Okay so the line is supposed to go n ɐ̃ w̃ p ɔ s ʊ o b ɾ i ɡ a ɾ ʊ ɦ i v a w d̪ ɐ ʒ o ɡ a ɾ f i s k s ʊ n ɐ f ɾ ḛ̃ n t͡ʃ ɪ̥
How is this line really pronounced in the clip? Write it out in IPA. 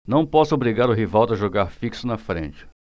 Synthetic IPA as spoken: n ɐ̃ w̃ p ɔ s ʊ o b ɾ i ɡ a ɾ ʊ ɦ i v a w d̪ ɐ ʒ o ɡ a ɾ f i k s ʊ n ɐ f ɾ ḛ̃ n t͡ʃ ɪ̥